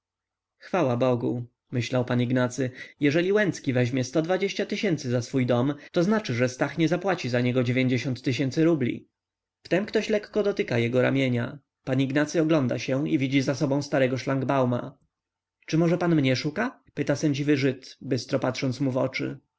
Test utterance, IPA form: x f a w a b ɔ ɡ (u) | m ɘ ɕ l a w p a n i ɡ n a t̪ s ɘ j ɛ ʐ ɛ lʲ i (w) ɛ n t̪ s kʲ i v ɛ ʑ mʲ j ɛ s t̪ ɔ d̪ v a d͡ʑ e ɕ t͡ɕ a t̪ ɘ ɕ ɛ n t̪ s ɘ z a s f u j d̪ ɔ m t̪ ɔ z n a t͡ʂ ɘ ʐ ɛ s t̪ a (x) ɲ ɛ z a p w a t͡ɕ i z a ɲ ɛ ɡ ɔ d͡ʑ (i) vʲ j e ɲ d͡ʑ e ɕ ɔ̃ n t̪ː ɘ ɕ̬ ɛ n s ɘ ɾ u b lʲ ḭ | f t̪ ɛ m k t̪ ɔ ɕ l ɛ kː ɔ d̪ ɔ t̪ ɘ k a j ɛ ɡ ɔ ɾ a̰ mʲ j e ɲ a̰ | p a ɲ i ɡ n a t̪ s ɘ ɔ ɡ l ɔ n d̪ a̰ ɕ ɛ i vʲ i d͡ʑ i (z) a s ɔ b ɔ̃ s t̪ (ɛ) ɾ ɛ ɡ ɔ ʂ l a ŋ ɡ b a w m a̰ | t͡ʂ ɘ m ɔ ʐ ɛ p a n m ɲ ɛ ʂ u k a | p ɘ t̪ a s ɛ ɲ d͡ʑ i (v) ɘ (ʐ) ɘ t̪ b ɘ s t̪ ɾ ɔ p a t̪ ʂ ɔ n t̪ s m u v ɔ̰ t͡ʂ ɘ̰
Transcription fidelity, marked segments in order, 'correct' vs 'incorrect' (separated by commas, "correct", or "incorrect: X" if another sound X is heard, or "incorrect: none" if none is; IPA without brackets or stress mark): correct, correct, correct, incorrect: e, correct, incorrect: a, correct, correct